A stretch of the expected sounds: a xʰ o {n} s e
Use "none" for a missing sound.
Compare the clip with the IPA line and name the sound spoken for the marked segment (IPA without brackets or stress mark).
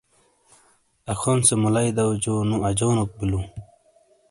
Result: n